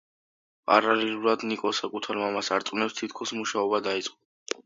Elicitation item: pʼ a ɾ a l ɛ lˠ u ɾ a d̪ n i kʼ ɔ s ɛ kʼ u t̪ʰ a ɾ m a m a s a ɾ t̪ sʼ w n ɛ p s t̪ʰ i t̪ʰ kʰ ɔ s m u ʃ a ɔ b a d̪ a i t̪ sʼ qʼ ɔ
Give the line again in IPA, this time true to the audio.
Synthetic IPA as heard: pʼ a ɾ a l ɛ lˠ u ɾ a d̪ n i kʼ ɔ s a kʼ u t̪ʰ a ɾ m a m a s a ɾ t̪ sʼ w n ɛ p s t̪ʰ i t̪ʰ kʰ ɔ s m u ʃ a ɔ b a d̪ a i t̪ sʼ qʼ ɔ